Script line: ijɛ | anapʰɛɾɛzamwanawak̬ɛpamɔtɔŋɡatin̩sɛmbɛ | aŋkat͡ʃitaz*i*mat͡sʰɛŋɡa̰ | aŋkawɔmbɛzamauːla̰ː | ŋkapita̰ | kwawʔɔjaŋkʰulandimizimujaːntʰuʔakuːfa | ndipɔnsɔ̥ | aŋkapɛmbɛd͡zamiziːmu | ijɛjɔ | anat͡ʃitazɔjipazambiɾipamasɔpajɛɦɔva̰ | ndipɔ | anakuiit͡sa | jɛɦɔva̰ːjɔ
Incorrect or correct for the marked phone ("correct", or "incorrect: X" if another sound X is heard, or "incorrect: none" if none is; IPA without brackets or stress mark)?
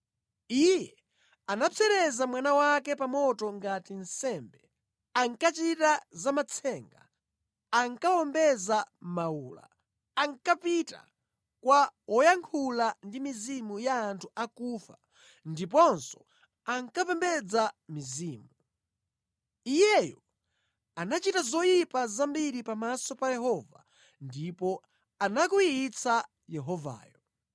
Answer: incorrect: a